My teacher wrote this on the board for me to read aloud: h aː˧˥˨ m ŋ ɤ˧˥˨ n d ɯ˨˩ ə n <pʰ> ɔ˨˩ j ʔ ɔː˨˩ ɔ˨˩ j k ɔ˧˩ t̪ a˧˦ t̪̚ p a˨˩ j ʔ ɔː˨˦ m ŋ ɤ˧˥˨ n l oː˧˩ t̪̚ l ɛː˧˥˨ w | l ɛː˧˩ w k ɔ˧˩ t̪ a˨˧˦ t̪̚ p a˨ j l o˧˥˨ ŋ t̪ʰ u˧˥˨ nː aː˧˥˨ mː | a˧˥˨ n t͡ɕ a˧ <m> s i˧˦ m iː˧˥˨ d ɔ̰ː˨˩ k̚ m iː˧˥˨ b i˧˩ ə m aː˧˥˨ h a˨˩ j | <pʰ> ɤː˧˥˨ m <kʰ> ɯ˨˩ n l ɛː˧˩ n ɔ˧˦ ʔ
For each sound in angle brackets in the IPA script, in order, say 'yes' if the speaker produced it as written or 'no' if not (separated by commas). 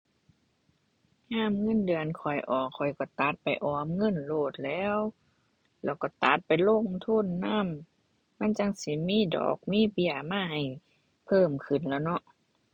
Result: no, no, yes, yes